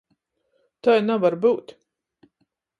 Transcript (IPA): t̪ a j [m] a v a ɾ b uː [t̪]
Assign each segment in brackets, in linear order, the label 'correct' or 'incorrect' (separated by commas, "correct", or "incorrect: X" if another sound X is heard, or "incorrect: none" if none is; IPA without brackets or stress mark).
incorrect: n, correct